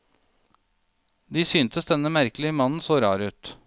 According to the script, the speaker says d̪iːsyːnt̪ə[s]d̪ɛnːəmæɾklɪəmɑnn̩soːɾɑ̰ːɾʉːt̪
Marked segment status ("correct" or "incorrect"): correct